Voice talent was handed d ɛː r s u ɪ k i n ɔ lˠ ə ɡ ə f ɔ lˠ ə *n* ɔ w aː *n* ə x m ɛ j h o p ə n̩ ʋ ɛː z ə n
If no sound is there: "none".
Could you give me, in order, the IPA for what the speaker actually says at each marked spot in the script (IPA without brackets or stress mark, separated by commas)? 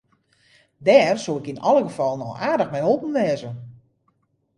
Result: n, d